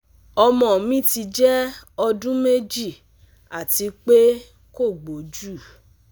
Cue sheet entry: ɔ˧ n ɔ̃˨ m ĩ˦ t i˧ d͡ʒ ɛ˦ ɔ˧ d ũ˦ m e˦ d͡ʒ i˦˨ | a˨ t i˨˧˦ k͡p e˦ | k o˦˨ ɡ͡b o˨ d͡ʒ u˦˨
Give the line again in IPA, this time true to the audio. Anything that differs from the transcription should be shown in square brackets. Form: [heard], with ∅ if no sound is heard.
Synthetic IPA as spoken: ɔ˧ [m] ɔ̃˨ m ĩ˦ t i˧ d͡ʒ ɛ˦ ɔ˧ d ũ˦ m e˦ d͡ʒ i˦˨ | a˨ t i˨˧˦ k͡p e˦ | k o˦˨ ɡ͡b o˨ d͡ʒ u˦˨